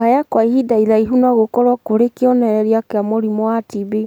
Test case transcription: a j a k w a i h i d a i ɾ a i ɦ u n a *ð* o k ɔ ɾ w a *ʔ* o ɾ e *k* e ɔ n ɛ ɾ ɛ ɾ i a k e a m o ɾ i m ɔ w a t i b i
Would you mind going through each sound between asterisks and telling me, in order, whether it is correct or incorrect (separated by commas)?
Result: incorrect, incorrect, correct